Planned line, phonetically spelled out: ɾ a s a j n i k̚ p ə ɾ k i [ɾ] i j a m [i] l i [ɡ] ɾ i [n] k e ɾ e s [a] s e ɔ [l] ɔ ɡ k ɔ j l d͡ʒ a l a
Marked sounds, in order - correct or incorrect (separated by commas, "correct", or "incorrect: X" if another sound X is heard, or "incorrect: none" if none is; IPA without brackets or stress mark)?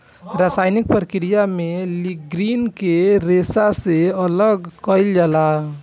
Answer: correct, incorrect: e, correct, correct, correct, correct